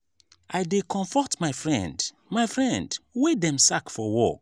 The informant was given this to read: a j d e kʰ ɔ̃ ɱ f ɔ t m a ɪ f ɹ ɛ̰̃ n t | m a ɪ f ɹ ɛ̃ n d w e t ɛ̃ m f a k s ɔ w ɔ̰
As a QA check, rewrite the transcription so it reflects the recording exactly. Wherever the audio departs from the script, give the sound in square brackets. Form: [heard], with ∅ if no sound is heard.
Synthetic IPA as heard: a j d e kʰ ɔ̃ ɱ f ɔ t m a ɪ f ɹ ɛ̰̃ n [d] | m a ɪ f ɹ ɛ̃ n d w e [d] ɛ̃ m [s] a k [f] ɔ w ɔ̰